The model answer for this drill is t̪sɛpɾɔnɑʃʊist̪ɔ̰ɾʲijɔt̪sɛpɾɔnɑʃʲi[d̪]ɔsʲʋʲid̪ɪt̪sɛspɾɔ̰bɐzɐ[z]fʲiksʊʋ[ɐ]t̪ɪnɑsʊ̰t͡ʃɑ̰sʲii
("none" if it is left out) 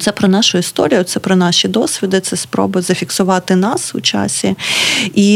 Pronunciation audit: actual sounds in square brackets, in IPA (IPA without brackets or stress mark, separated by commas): d̪, none, ɑ